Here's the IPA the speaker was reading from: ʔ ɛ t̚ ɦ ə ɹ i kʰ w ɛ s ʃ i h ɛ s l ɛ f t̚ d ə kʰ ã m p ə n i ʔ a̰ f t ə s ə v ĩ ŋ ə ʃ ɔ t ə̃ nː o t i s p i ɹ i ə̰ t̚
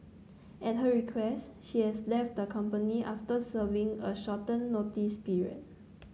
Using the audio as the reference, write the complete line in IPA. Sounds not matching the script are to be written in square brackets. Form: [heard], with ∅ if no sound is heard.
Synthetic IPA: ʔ ɛ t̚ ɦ ə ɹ i kʰ w ɛ s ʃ i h ɛ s l ɛ f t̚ d ə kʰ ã m p ə n i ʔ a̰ f t ə s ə v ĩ ŋ ə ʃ ɔ t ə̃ nː o t i s p i ɹ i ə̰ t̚

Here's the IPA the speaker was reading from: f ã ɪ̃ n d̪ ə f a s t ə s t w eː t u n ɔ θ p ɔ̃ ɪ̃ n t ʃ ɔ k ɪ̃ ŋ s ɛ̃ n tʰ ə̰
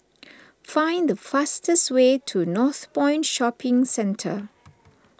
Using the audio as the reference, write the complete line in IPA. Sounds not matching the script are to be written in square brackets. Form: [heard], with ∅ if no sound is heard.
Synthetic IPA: f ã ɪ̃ n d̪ ə f a s t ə s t w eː [tʰ] u n ɔ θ p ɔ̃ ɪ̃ n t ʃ ɔ [p] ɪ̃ ŋ s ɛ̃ n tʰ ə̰

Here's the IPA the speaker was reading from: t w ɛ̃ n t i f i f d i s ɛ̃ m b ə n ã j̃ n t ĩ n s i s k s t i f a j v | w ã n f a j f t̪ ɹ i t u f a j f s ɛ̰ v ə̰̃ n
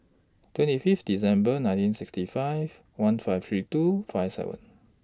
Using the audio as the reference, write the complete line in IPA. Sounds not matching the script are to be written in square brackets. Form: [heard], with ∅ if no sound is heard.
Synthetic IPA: t w ɛ̃ n t i f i f d i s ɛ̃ m b ə n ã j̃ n t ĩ n s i [∅] k s t i f a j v | w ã n f a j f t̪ ɹ i t u f a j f s ɛ̰ v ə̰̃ n

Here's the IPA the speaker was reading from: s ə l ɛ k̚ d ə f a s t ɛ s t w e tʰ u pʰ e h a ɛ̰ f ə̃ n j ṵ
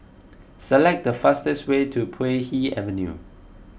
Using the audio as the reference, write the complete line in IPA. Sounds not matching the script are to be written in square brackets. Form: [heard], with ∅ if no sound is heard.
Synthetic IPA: s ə l ɛ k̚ d ə f a s t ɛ s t w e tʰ u pʰ e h [i] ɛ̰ [v] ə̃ n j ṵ

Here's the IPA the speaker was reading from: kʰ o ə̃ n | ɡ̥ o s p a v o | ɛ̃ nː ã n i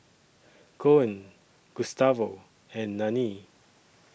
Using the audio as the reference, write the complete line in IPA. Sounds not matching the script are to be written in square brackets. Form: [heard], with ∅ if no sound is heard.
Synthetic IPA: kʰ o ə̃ n | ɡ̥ [u] s [t] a v o | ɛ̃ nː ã n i

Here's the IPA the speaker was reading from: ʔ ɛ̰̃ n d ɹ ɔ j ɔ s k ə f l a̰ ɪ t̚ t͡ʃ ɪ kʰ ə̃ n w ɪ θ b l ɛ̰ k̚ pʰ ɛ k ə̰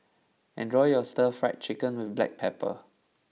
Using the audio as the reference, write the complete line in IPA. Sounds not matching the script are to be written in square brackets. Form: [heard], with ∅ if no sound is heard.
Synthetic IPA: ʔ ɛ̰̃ n d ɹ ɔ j ɔ s [t] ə f [ɹ] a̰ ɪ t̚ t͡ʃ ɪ [k] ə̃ n w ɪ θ b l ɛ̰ k̚ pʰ ɛ [p] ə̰

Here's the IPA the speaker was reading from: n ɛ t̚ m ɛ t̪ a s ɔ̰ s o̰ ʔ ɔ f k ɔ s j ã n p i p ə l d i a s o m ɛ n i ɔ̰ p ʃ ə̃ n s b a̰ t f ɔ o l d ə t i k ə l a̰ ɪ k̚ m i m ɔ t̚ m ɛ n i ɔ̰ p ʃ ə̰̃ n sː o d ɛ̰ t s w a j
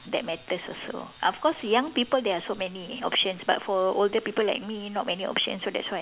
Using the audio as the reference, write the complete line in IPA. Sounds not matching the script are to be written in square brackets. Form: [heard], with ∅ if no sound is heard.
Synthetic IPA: [d] ɛ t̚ m ɛ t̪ [ə] s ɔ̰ s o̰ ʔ ɔ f k ɔ s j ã [ŋ] p i p ə l d [ɛ] a s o m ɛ n i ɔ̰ p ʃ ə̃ n s b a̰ t f ɔ o l d ə [p] i [p] ə l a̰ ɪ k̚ m i [n] ɔ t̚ m ɛ n i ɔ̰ p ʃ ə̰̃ n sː o d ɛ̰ t s w a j

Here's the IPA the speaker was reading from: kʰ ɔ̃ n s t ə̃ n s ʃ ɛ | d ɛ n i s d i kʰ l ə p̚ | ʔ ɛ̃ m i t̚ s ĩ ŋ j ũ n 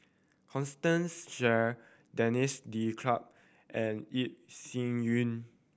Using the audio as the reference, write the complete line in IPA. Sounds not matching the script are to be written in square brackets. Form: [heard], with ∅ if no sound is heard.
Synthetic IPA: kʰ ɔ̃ n s t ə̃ n s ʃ ɛ | d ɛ n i s d i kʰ l [a] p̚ | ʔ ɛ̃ [n] i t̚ s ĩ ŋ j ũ n

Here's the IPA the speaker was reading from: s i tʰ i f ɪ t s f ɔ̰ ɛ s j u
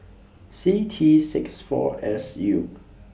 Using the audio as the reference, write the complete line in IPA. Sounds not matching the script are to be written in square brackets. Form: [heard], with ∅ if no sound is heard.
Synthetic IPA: s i tʰ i [s] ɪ [k] s f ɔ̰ ɛ s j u

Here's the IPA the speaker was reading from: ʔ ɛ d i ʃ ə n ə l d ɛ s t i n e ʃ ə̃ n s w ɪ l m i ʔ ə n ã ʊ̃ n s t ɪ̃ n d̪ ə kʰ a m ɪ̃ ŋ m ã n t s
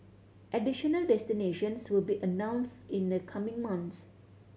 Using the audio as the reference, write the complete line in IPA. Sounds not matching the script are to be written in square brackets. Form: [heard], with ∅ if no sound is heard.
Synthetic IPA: ʔ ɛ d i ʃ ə n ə l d ɛ s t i n e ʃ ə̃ n s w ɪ l [b] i ʔ ə n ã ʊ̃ n s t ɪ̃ n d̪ ə kʰ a m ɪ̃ ŋ m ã n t s

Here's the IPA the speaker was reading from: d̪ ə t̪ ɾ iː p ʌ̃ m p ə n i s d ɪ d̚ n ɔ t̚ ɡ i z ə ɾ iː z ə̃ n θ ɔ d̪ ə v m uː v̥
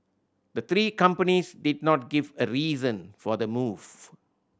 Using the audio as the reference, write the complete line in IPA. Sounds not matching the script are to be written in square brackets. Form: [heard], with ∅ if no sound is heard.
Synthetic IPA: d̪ ə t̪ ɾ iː [k] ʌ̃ m p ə n i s d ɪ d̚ n ɔ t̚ ɡ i [v] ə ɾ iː z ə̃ n [f] ɔ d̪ ə [∅] m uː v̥

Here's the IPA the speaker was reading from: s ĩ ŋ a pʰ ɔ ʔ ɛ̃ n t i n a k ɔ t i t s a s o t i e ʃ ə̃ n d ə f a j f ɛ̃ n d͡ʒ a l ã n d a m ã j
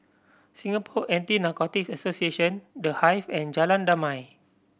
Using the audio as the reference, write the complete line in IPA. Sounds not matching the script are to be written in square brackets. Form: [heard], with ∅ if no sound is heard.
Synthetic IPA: s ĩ ŋ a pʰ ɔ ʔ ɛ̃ n t i n a k ɔ t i [k] s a s o [s] i e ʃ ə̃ n d ə [h] a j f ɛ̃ n d͡ʒ a l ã n d a m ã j

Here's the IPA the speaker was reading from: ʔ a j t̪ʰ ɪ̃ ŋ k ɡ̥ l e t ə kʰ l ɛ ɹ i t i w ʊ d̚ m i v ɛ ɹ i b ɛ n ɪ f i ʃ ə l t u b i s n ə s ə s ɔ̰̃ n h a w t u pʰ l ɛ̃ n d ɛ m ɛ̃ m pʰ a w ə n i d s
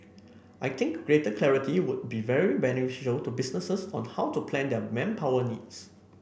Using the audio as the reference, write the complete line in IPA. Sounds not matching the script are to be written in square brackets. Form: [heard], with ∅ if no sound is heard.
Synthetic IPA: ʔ a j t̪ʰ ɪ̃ ŋ k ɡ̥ [ɹ] e t ə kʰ l ɛ ɹ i t i w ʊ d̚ [b] i v ɛ ɹ i b ɛ n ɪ f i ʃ ə l t u b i s n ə s ə s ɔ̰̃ n h a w t u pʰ l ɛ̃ n d ɛ m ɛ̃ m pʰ a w ə n i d s

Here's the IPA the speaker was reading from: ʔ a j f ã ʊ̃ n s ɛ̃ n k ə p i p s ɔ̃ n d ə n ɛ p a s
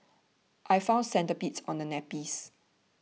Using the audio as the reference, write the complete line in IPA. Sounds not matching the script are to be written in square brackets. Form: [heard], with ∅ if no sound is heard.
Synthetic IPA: ʔ a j f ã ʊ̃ n s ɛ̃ n [t] ə p i [t] s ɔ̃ n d ə n ɛ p [i] s

